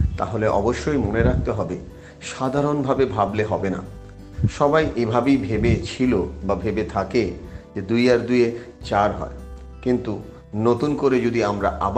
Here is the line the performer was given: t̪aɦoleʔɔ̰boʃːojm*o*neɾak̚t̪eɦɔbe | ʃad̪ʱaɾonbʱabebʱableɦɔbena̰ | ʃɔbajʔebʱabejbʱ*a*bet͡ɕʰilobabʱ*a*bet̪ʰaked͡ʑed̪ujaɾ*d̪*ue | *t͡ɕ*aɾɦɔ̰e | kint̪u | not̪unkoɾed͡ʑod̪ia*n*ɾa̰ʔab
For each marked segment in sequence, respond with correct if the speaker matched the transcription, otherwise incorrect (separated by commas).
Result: correct, incorrect, incorrect, correct, correct, incorrect